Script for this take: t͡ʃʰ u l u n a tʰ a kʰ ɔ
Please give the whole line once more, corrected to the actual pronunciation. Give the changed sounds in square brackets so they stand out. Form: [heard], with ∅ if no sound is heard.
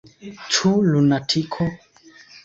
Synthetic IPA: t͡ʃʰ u l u n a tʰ [i] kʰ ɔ